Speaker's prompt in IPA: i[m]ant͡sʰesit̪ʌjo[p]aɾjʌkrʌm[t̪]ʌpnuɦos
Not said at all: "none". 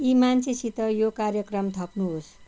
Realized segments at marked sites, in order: m, k, t̪ʰ

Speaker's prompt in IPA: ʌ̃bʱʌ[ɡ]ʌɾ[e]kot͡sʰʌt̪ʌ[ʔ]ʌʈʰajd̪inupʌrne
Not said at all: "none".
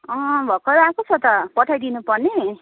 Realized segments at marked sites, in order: k, a, p

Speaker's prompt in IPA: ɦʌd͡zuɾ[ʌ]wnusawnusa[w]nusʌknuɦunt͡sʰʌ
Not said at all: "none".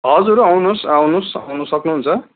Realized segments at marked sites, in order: a, w

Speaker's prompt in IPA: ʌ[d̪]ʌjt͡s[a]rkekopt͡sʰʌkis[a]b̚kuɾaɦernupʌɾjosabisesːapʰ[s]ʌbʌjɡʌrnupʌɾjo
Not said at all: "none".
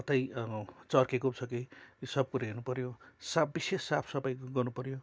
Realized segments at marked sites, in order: t̪, ʌ, ʌ, s

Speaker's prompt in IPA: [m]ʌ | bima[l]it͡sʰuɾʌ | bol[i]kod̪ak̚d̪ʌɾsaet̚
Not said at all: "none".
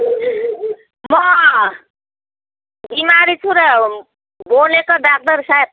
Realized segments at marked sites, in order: m, ɾ, e

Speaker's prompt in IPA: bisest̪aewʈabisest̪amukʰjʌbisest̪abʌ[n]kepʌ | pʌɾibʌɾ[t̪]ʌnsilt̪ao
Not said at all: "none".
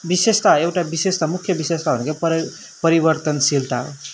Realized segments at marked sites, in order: n, t̪

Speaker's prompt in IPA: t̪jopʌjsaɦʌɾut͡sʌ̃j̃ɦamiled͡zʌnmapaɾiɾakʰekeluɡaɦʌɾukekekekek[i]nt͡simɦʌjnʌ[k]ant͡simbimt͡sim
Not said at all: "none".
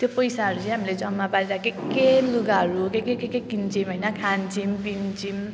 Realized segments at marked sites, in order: i, kʰ

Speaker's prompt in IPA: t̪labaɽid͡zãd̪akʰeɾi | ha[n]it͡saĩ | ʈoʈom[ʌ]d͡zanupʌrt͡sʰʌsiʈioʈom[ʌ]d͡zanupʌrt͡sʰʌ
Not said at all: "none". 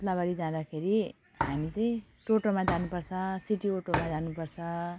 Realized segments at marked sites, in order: m, a, a

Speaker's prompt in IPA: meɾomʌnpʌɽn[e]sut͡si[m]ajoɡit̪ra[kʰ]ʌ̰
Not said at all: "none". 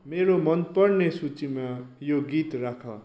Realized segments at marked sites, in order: e, m, kʰ

